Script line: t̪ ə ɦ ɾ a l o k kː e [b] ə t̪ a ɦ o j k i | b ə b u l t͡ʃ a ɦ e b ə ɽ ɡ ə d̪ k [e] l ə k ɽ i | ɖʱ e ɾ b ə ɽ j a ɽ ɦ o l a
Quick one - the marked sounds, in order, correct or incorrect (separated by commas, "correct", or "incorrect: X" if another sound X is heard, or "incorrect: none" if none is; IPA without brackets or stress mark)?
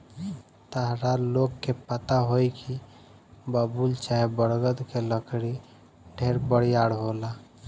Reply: incorrect: p, correct